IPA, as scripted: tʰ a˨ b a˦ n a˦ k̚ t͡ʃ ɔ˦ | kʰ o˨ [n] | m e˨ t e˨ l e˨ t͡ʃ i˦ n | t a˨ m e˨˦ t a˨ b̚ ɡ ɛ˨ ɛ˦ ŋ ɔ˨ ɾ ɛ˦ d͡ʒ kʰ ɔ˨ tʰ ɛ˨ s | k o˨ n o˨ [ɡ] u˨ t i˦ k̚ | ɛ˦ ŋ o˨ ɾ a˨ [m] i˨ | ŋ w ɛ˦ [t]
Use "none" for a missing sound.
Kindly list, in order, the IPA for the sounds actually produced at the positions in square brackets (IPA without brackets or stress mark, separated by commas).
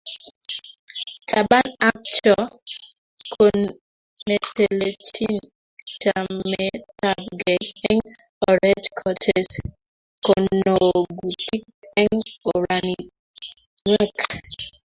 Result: n, ɡ, n, k